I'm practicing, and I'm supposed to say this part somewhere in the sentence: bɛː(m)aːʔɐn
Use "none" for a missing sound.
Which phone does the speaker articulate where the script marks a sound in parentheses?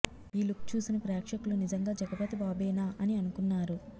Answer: n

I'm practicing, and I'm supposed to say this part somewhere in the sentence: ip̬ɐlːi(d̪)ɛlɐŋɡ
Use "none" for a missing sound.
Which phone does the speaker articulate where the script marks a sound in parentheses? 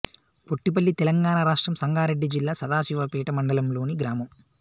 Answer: t̪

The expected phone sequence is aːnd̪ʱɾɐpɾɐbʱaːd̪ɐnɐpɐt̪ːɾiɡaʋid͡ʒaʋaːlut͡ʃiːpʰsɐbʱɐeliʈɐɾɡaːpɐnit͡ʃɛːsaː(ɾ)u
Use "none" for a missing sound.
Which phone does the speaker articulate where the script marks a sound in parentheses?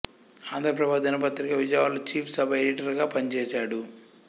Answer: ɽ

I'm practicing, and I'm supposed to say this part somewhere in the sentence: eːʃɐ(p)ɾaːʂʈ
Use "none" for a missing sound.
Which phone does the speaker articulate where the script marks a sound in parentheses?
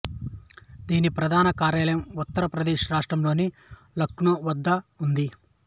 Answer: none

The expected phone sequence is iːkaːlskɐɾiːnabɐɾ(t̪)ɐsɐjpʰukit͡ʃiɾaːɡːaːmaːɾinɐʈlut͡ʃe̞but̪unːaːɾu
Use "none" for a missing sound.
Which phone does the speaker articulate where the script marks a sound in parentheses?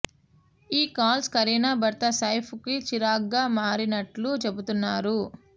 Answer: t̪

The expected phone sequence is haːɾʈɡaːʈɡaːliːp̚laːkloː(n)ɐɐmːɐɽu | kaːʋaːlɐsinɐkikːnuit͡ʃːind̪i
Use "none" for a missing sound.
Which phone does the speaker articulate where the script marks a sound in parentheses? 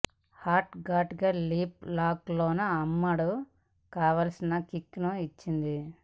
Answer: n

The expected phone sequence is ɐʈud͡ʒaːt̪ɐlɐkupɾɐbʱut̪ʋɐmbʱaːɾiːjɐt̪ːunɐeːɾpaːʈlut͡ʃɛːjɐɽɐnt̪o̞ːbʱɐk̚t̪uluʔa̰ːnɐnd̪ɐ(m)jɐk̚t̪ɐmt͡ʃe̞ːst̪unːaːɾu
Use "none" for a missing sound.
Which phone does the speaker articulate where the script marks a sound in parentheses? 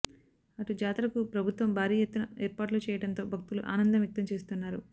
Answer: m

